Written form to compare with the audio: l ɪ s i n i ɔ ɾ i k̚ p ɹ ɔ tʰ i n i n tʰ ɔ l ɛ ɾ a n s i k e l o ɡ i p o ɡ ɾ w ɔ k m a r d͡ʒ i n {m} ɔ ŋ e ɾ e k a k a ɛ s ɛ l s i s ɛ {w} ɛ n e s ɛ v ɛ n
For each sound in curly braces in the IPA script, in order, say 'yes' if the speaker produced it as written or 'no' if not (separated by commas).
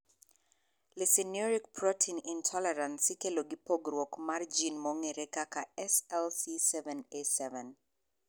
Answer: yes, no